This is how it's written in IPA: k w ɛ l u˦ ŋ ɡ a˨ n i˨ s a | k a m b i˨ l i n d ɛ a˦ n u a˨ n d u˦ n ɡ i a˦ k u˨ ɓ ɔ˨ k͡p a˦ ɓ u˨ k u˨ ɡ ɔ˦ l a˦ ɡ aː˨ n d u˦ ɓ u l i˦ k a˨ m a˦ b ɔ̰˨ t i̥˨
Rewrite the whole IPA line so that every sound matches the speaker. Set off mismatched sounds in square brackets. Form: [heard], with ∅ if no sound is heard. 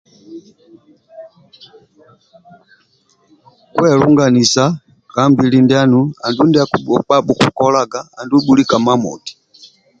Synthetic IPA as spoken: k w ɛ l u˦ ŋ ɡ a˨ n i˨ s a | k a m b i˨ l i n d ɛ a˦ n u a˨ n d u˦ n [d] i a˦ k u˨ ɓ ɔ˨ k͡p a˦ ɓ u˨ k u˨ [k] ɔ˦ l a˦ ɡ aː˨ n d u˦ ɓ u l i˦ k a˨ m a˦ [m] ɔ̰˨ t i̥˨